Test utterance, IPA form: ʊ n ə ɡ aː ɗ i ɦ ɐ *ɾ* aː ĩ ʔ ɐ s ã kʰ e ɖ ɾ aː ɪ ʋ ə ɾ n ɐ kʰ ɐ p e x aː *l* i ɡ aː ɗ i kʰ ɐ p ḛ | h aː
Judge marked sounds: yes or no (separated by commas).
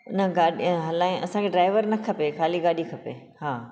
no, yes